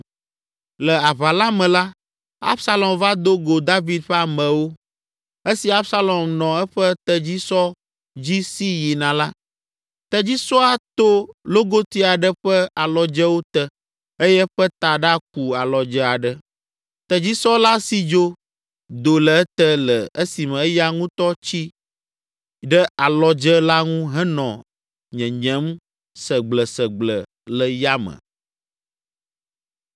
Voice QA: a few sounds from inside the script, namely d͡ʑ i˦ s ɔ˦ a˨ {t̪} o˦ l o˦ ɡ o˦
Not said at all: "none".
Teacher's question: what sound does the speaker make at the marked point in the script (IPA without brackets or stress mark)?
t̪